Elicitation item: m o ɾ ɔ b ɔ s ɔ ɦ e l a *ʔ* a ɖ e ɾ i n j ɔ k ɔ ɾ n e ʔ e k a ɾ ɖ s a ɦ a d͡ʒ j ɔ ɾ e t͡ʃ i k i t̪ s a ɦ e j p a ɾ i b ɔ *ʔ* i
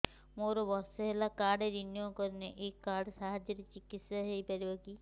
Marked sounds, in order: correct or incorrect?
incorrect: k, incorrect: k

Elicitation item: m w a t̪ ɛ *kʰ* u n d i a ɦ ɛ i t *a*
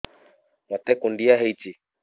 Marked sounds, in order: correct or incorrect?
incorrect: k, incorrect: i

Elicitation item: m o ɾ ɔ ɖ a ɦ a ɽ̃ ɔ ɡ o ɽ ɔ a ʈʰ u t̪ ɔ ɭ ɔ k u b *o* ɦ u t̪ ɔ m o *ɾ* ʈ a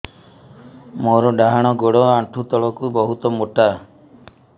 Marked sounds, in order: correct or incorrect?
incorrect: ɔ, incorrect: none

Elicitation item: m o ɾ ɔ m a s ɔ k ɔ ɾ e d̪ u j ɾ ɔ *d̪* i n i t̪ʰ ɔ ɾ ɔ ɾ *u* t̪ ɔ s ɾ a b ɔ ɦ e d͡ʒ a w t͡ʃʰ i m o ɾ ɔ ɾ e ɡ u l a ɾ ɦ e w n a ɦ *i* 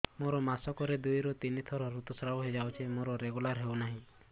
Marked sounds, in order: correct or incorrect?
incorrect: t̪, correct, incorrect: ĩ

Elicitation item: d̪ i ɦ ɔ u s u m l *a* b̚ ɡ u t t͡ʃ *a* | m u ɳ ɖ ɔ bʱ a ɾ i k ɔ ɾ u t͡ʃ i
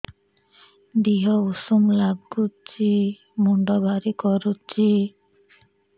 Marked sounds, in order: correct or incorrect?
correct, incorrect: i

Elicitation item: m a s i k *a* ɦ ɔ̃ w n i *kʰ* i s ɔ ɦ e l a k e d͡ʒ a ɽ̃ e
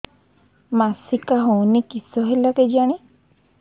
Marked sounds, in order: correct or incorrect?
correct, incorrect: k

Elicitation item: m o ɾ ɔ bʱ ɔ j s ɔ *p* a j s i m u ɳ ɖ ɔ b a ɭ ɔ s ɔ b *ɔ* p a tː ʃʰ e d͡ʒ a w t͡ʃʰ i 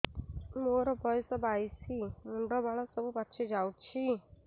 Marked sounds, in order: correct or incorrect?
incorrect: b, incorrect: u

